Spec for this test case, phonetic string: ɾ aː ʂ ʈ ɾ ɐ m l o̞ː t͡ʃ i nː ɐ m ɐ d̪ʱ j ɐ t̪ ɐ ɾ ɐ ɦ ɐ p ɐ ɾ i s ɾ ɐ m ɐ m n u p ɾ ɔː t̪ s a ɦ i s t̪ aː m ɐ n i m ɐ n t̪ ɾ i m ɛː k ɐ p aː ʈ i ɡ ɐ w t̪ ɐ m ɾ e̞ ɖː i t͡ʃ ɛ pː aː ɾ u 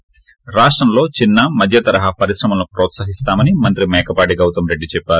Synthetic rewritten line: ɾ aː ʂ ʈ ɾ ɐ m l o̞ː t͡ʃ i nː ɐ m ɐ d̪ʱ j ɐ t̪ ɐ ɾ ɐ ɦ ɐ p ɐ ɾ i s ɾ ɐ m ɐ m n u p ɾ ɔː t̪ s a ɦ i s t̪ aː m ɐ n i m ɐ n t̪ ɾ i m ɛː k ɐ p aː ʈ i ɡ ɐ w t̪ ɐ m ɾ e̞ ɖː i t͡ʃ ɛ pː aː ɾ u